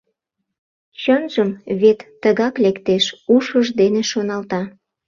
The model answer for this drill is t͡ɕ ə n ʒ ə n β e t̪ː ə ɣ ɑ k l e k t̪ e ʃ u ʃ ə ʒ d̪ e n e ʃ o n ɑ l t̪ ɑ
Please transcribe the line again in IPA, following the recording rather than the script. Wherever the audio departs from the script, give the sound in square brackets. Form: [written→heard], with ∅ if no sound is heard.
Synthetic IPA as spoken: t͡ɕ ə n ʒ ə [n→m] β e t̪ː ə ɣ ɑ k l e k t̪ e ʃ u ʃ ə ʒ d̪ e n e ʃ o n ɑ l t̪ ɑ